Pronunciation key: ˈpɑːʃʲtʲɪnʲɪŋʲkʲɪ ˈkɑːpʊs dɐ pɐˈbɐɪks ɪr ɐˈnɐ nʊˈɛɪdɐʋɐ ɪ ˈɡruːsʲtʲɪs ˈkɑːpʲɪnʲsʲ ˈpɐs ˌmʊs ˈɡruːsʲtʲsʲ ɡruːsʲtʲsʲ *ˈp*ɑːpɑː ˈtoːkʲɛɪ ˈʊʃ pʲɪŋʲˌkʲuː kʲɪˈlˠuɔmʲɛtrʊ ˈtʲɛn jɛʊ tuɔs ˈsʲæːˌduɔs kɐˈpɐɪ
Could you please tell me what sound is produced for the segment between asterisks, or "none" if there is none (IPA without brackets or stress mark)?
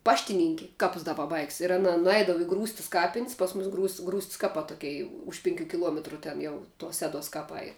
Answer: k